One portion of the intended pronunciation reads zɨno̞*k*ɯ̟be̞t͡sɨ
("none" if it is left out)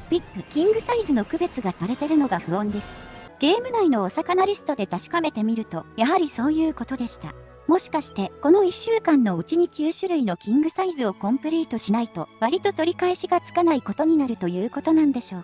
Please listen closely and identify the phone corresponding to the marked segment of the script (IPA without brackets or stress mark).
k